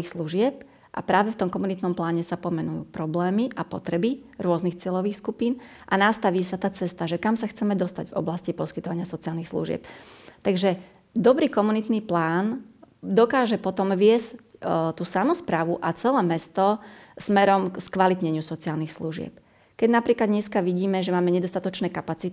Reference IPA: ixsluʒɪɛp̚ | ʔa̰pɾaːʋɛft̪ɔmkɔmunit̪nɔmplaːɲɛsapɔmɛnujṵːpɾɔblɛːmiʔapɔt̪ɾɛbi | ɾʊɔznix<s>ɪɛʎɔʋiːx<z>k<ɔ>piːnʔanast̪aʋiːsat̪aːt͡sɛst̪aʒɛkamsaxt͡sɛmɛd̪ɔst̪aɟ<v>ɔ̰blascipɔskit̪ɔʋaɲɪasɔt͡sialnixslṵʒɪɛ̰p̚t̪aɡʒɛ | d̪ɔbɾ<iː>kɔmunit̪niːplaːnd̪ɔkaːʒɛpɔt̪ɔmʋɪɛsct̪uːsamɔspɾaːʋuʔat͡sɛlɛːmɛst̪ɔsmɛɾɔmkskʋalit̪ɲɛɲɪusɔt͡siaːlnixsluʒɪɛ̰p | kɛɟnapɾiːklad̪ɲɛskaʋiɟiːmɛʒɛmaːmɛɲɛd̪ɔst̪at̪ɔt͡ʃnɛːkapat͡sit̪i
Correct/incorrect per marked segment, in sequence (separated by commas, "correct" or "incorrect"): incorrect, incorrect, incorrect, correct, correct